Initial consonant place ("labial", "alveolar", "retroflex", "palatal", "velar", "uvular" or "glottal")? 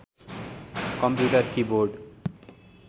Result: velar